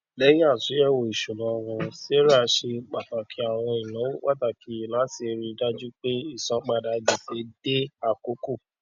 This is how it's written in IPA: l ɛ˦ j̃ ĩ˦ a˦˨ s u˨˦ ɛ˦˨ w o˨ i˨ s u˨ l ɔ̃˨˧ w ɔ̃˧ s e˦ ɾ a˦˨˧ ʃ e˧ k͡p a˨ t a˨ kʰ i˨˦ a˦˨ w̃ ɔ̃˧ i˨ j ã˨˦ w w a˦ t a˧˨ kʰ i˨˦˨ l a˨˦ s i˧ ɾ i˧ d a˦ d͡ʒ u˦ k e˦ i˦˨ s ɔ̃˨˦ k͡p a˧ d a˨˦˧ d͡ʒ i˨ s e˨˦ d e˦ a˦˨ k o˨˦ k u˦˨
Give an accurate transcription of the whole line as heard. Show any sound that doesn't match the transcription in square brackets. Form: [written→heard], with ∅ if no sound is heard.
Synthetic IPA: l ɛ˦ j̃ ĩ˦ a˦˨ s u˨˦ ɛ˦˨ w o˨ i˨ [s→ʃ] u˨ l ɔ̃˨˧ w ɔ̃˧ s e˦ ɾ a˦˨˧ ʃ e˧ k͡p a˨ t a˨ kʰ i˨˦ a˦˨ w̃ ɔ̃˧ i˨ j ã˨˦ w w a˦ t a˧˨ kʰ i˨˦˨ l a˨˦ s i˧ ɾ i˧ d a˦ d͡ʒ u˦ [k→k͡p] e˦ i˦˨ s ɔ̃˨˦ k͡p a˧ d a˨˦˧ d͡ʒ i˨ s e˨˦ d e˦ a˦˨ k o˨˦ k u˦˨